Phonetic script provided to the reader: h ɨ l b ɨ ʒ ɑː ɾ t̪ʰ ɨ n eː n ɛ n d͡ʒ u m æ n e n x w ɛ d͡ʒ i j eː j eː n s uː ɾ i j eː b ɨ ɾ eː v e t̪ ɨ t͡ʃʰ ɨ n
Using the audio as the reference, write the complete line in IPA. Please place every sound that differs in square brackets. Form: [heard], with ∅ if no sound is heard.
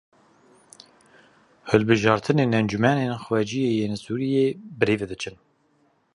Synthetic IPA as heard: h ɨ l b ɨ ʒ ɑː ɾ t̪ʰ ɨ n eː n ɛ n d͡ʒ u m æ n e n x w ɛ d͡ʒ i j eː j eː n s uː ɾ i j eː b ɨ ɾ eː v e [d̪] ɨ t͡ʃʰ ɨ n